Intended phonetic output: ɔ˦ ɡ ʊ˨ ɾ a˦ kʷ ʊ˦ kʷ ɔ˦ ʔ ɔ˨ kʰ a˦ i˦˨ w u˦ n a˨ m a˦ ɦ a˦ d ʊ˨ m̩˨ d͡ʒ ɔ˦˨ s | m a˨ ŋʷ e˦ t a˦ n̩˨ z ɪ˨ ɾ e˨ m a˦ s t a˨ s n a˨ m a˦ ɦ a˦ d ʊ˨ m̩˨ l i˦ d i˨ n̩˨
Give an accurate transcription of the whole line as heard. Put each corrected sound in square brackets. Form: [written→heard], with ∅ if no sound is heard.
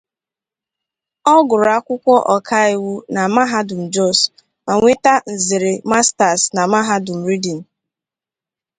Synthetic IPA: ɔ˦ ɡ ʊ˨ ɾ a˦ kʷ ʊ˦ kʷ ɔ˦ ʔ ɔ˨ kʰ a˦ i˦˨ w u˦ n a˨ m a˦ ɦ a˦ d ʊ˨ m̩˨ d͡ʒ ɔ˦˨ s | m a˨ ŋʷ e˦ t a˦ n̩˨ z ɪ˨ ɾ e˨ m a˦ s t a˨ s n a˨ m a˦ ɦ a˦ d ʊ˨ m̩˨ [l→ɾ] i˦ d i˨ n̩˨